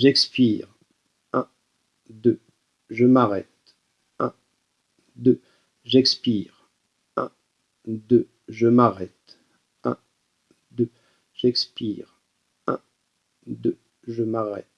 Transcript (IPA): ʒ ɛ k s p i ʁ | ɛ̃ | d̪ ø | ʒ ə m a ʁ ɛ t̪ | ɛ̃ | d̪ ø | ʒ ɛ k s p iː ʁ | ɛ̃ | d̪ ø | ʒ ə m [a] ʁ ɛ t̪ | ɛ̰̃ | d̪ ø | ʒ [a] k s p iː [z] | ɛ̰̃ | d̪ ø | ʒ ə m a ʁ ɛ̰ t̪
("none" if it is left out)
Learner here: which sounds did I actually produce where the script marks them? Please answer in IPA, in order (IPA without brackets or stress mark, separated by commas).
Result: a, ɛ, ʁ